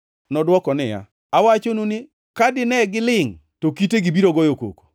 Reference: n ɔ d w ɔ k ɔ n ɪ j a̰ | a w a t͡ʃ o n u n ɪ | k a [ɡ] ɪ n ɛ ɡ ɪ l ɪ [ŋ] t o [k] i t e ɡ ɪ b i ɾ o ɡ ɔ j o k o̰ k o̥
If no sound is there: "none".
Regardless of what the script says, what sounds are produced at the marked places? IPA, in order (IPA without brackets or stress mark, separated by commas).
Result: d, ŋ, k